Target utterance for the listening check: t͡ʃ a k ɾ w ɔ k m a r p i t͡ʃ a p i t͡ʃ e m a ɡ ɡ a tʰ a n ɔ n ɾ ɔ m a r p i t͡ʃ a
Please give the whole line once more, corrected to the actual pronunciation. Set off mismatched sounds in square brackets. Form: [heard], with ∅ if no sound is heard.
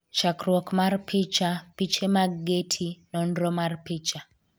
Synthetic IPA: t͡ʃ a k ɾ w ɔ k m a r p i t͡ʃ a p i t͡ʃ e m a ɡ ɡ [e] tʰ [i] n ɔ n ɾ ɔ m a r p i t͡ʃ a